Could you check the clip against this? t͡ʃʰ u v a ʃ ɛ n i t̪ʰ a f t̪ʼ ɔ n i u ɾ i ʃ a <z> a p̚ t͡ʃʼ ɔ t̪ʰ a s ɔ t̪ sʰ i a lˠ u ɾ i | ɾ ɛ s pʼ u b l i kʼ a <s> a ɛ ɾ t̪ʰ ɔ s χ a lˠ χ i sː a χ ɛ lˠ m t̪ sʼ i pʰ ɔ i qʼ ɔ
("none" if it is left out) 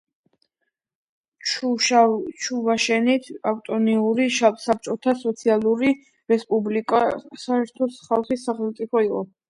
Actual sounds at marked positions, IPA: s, s

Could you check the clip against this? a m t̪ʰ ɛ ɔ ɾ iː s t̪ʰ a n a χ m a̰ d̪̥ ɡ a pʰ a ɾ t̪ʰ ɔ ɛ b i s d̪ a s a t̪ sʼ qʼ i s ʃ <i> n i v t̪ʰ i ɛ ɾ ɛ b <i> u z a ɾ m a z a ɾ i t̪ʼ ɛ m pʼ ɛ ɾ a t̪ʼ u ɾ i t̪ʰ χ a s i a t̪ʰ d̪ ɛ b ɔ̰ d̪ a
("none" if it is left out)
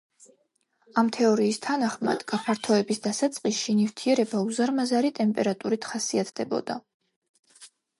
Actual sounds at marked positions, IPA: i, a

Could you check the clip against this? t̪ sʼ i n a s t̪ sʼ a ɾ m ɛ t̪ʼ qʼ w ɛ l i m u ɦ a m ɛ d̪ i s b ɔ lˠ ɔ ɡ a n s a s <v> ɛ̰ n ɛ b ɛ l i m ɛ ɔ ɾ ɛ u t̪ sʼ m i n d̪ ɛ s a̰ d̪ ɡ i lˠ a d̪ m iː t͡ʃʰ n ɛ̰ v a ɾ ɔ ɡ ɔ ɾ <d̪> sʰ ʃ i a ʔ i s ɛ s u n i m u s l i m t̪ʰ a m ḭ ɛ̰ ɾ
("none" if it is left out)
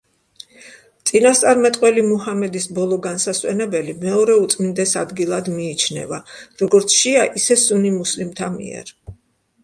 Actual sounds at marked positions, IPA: w, t̪

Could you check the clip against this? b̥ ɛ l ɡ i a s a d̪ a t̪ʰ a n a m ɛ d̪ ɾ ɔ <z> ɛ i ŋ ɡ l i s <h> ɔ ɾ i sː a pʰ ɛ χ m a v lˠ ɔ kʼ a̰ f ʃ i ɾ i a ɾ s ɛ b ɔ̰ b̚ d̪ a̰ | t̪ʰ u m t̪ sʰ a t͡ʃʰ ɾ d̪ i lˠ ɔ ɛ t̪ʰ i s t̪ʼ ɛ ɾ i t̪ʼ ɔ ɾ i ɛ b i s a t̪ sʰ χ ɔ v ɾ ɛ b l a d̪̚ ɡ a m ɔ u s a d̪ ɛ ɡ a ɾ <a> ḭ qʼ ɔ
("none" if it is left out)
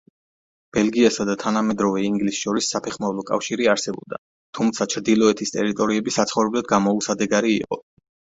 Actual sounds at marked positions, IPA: v, ʃ, i

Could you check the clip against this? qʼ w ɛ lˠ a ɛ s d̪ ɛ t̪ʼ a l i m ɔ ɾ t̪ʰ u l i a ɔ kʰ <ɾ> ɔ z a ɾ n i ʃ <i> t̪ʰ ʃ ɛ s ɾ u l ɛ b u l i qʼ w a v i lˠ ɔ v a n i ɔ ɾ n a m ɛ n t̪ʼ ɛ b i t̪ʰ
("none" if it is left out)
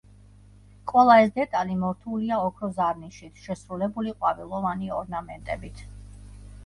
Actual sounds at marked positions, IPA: ɾ, i

